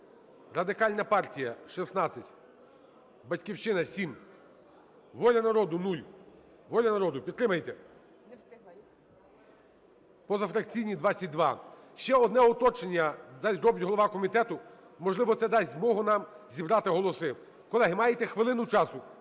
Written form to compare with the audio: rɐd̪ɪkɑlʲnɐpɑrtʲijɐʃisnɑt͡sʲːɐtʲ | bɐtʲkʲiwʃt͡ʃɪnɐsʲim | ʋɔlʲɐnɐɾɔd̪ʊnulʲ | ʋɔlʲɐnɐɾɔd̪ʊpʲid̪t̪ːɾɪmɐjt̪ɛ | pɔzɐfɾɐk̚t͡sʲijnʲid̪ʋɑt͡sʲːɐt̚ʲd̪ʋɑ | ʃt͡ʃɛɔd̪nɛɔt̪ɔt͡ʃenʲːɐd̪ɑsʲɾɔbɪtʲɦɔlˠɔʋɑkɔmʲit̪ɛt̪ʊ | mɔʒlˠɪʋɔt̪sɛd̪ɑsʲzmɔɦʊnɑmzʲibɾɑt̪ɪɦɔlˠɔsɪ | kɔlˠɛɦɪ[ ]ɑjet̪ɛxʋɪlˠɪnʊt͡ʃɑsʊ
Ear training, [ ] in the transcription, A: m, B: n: A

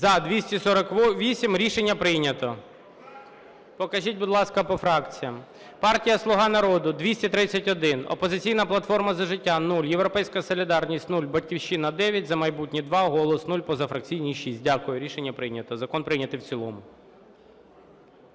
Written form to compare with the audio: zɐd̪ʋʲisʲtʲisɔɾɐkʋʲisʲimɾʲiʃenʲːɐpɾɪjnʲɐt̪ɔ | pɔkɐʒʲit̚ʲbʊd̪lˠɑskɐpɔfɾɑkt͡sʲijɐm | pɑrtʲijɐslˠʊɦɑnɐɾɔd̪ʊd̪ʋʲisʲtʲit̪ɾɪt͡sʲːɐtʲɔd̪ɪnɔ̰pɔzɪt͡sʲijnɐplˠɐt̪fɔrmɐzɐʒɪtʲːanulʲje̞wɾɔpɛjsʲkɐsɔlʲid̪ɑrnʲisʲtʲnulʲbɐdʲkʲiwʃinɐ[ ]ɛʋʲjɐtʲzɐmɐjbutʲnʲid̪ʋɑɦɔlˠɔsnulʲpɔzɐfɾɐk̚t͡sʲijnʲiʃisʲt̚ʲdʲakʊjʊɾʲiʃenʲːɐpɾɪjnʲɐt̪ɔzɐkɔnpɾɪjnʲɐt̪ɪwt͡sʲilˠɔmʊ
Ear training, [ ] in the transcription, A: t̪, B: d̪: B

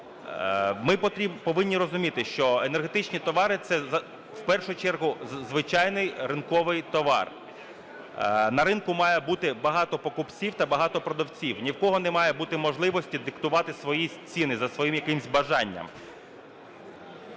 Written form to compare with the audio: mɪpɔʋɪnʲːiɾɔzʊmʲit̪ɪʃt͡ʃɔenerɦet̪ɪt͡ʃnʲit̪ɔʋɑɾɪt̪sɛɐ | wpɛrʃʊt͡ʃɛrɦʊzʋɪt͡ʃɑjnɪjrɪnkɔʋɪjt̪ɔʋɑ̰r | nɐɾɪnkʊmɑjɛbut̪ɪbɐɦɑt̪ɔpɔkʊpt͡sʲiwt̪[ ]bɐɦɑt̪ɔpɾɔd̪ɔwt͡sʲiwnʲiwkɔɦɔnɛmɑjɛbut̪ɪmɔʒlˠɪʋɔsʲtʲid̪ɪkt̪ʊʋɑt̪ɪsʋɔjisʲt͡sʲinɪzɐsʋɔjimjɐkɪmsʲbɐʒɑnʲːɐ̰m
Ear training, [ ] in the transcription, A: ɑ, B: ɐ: B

